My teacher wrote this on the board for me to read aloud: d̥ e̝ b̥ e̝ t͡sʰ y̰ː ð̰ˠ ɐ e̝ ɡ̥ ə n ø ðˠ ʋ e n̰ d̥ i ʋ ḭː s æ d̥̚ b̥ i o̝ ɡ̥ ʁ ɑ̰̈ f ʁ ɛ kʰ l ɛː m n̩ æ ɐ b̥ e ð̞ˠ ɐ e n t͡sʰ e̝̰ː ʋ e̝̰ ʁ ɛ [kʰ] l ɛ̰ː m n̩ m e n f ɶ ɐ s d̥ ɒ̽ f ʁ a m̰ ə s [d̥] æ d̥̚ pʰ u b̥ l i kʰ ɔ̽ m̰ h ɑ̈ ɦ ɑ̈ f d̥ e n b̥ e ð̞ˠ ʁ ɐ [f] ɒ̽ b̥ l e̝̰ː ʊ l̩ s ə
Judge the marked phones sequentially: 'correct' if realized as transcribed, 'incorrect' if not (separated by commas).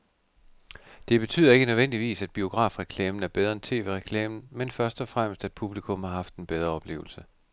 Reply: correct, correct, incorrect